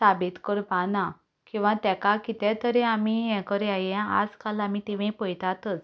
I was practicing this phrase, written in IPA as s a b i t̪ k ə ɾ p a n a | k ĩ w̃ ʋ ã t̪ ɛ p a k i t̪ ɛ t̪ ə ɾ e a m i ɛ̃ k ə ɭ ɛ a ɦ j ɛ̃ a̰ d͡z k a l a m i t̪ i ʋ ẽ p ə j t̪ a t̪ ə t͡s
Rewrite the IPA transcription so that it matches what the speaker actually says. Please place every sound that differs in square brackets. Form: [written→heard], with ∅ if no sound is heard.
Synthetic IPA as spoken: s a b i t̪ k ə ɾ p a n a | k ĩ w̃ ʋ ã t̪ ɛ [p→k] a k i t̪ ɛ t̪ ə ɾ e a m i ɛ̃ k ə [ɭ→ɾ] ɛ a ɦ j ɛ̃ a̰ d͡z k a l a m i t̪ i ʋ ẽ p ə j t̪ a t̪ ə t͡s